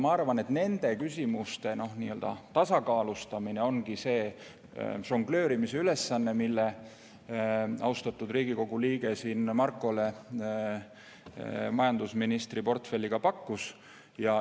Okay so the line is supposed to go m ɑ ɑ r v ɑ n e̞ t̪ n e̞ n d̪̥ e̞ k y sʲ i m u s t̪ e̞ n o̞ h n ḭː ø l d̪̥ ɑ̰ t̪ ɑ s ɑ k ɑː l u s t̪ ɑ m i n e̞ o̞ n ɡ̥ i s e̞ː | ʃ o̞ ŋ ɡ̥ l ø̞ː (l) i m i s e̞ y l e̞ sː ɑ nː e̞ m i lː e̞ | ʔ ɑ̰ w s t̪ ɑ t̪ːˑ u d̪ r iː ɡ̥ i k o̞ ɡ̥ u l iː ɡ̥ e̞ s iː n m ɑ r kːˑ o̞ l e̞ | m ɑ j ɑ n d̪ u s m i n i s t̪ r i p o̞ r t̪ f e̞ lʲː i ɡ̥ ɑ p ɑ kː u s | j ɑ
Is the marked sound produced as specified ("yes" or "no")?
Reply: no